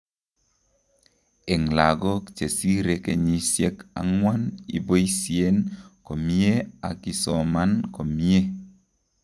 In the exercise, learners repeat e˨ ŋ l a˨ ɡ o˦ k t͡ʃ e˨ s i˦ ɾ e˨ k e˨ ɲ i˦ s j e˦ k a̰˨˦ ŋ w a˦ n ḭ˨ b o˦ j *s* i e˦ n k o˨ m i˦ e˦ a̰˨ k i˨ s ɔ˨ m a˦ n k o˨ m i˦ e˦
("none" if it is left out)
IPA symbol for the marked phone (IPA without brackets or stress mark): s